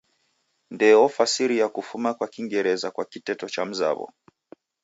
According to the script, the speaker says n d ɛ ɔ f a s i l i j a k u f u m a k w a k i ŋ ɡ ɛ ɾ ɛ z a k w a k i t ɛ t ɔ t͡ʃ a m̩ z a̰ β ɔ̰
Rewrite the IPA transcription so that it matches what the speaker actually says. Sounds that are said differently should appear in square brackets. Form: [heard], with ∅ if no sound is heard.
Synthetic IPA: n d ɛ ɔ f a s i [ɾ] i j a k u f u m a k w a k i ŋ ɡ ɛ ɾ ɛ z a k w a k i t ɛ t ɔ t͡ʃ a m̩ z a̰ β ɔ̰